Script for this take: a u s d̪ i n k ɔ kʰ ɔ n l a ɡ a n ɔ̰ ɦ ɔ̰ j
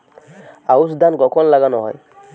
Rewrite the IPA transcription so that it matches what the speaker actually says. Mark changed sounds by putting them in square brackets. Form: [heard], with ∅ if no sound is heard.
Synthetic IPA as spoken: a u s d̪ [a] n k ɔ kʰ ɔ n l a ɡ a n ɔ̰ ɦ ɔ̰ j